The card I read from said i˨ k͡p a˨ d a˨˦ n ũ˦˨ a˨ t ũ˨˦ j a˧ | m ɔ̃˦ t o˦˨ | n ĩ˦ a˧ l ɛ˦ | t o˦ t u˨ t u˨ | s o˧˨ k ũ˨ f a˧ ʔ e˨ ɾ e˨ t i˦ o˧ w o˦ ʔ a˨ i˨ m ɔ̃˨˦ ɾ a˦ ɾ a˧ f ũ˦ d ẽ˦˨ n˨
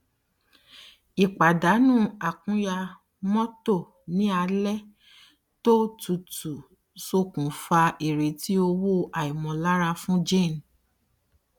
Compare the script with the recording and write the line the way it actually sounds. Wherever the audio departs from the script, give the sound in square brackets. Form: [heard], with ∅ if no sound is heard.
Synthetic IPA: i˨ k͡p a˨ d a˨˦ n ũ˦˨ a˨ [k] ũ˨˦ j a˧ | m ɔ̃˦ t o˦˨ | n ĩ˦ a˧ l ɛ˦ | t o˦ t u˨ t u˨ | s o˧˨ k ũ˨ f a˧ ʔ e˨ ɾ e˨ t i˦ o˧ w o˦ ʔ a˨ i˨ m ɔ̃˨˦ [l] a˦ ɾ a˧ f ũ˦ [d͡ʒ] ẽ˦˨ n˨